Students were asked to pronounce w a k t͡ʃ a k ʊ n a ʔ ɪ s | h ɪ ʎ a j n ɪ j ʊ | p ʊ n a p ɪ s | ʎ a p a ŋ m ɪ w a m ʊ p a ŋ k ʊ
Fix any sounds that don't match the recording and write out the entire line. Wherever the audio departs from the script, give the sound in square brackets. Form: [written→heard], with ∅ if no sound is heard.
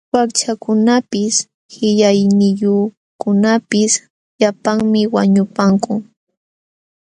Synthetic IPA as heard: w a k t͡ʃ a k ʊ n a [ʔ→p] ɪ s | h ɪ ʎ a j n ɪ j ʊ | [p→k] ʊ n a p ɪ s | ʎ a p a ŋ m ɪ w a [m→ɲ] ʊ p a ŋ k ʊ